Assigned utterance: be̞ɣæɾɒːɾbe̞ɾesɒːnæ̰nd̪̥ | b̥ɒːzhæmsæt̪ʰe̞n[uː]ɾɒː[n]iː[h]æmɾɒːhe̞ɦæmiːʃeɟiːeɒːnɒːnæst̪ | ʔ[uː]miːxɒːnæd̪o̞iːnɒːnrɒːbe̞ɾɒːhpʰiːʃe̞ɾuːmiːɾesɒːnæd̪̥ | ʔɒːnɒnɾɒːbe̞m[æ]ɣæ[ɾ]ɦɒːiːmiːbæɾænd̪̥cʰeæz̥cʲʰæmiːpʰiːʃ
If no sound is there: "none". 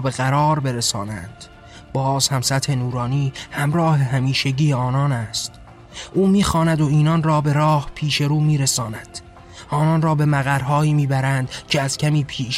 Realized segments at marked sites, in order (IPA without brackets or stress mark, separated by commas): uː, n, h, uː, æ, ɾ